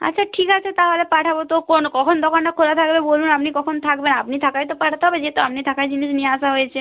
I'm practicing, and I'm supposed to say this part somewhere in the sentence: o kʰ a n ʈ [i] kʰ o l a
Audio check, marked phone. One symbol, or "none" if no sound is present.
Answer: a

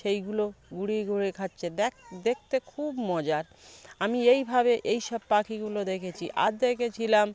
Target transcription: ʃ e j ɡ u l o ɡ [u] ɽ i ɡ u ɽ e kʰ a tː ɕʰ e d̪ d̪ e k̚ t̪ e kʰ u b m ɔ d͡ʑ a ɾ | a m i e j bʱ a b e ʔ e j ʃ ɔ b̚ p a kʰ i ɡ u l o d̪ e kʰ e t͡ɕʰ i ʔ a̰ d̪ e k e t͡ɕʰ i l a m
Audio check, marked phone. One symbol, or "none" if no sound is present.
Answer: u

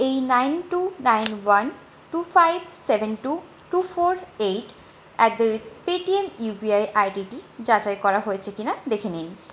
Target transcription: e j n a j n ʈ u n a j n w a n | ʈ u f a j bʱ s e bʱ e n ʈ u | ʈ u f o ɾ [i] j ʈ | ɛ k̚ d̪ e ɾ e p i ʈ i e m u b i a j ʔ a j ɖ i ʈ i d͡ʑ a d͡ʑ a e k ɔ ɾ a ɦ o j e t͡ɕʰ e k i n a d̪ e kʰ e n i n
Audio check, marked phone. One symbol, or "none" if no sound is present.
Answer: e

